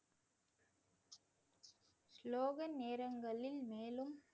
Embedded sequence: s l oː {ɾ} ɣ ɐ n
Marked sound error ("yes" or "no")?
yes